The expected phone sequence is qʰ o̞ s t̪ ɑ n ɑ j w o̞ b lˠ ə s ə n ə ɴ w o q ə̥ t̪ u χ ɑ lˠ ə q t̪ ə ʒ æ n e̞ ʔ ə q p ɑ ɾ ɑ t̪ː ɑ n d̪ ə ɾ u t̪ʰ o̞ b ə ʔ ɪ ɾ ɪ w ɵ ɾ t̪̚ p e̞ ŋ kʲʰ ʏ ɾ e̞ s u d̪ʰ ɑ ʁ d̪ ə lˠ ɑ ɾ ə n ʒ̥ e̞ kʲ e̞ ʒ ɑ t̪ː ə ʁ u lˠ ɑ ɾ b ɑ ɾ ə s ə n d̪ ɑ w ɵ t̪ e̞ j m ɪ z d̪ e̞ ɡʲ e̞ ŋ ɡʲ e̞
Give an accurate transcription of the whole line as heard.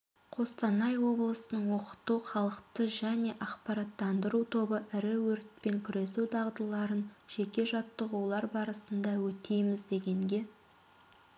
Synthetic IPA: qʰ o̞ s t̪ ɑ n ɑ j w o̞ b lˠ ə s ə n ə ɴ w o q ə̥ t̪ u χ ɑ lˠ ə q t̪ ə ʒ æ n e̞ ʔ ɑ q p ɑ ɾ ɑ t̪ː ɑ n d̪ ə ɾ u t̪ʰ o̞ b ə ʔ ɪ ɾ ɪ w ɵ ɾ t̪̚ p e̞ ŋ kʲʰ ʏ ɾ e̞ s u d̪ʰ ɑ ʁ d̪ ə lˠ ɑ ɾ ə n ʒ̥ e̞ kʲ e̞ ʒ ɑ t̪ː ə ʁ u lˠ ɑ ɾ b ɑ ɾ ə s ə n d̪ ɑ w ɵ t̪ e̞ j m ɪ z d̪ e̞ ɡʲ e̞ ŋ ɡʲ e̞